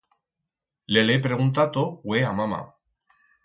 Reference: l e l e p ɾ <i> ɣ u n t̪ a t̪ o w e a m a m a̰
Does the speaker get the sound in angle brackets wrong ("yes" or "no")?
yes